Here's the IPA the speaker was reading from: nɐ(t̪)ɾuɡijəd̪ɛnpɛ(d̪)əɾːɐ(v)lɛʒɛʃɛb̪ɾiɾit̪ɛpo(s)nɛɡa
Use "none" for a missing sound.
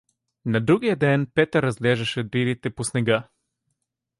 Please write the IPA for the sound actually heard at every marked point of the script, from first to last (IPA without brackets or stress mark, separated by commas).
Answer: d̪, t̪, z, s